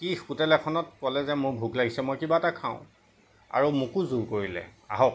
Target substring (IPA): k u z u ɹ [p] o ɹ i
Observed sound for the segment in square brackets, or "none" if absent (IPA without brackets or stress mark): k